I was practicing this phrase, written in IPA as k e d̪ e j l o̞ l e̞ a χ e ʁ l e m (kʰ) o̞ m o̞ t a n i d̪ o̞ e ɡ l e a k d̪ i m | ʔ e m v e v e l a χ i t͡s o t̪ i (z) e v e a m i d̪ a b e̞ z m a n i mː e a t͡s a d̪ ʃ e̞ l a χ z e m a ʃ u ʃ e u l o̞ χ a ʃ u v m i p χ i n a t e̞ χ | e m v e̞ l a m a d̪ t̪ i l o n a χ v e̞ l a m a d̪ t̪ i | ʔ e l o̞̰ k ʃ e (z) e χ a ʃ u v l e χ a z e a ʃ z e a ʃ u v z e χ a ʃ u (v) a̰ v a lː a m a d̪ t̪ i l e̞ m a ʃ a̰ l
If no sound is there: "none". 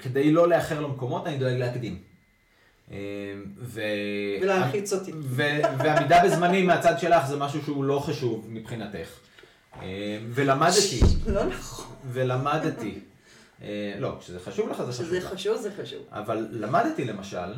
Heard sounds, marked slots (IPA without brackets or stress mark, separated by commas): k, v, z, v